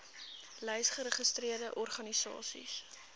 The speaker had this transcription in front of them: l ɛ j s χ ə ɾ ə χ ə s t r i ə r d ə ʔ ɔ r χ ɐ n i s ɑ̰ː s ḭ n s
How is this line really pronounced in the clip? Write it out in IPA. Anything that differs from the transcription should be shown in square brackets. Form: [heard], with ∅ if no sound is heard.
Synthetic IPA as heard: l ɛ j s χ ə ɾ ə χ ə s t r i ə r d ə ʔ ɔ r χ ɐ n i s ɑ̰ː s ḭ [∅] s

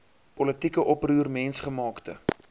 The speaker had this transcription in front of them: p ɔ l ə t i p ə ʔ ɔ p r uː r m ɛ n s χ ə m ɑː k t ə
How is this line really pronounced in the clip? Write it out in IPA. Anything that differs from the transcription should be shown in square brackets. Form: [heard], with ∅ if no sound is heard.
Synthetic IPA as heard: p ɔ l ə t i [k] ə ʔ ɔ p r uː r m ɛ n s χ ə m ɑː k t ə

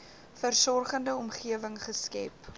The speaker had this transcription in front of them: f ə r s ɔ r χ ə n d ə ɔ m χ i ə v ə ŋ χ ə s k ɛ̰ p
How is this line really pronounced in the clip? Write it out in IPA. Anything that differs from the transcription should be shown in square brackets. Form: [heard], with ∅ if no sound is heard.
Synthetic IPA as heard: f ə r s ɔ r χ ə n d ə ɔ m χ i ə v ə ŋ χ ə s k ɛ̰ p

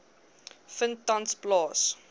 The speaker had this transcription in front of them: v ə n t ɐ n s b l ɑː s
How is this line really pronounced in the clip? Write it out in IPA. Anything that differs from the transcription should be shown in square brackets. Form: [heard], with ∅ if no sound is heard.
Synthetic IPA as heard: [f] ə n t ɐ n s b l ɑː s

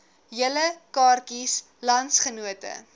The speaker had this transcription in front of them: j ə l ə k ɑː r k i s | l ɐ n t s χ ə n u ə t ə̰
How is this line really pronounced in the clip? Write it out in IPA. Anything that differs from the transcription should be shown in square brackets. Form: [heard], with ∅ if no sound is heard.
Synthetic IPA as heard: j ə l ə k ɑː r k i s | l ɐ n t s χ ə n u ə t ə̰

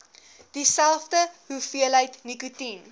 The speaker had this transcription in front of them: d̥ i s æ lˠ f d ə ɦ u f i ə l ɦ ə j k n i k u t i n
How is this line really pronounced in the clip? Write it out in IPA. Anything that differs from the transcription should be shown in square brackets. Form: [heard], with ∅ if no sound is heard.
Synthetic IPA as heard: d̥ i s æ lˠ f d ə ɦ u f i ə l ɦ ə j [t] n i k u t i n

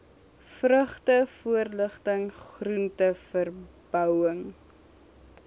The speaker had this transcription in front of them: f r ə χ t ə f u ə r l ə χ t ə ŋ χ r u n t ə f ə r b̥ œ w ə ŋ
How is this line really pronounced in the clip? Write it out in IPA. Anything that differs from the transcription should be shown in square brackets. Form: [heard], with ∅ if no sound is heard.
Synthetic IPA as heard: f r ə χ t ə f u ə r l ə χ t ə ŋ χ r u n t ə f ə r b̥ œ w ə ŋ

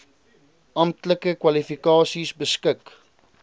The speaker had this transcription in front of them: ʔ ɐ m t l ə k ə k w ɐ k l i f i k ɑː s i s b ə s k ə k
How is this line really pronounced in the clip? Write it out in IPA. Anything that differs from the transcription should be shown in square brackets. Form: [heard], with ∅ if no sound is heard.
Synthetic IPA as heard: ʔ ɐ m t l ə k ə k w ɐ [∅] l i f i k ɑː s i s b ə s k ə k

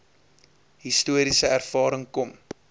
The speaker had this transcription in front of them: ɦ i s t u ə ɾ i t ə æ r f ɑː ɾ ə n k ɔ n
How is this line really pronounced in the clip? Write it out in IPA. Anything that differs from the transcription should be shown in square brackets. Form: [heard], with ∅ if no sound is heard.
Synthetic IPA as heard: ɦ i s t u ə ɾ i [s] ə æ r f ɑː ɾ ə [ŋ] k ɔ [m]

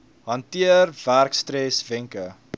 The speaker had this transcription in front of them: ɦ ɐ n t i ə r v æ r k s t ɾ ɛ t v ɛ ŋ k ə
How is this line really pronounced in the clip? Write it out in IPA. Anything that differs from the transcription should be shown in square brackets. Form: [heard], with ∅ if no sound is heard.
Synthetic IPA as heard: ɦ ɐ n t i ə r v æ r k s t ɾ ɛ [s] v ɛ ŋ k ə

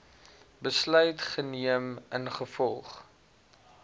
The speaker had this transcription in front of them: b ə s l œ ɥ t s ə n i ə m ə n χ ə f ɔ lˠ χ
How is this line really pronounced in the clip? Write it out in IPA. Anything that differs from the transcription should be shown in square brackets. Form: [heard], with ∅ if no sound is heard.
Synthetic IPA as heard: b ə s l œ ɥ t [χ] ə n i ə m ə n χ ə f ɔ lˠ χ

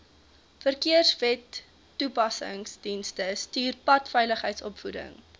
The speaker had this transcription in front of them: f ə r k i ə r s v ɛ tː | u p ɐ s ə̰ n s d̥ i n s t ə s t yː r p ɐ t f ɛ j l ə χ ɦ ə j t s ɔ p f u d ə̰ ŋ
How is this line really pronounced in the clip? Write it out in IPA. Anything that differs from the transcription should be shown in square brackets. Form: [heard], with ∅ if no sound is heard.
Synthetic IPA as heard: f ə r k i ə r s v ɛ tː | u p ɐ s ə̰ [ŋ] s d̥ i n s t ə s t yː r p ɐ t f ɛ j l ə χ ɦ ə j t s ɔ p f u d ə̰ ŋ

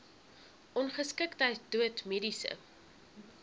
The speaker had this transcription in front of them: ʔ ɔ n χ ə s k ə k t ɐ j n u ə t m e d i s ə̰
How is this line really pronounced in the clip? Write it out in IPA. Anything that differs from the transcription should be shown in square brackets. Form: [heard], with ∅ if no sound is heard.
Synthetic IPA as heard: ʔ ɔ n χ ə s k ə k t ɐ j [d] u ə t m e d i s ə̰

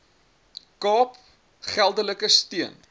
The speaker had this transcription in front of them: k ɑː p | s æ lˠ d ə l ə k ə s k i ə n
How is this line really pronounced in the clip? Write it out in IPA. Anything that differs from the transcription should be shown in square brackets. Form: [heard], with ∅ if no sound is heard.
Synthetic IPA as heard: k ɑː p | [χ] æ lˠ d ə l ə k ə s [t] i ə n

